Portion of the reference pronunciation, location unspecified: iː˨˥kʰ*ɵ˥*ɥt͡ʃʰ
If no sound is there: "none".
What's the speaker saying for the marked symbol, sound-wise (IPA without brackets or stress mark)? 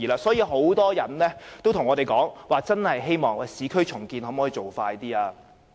ɵ˥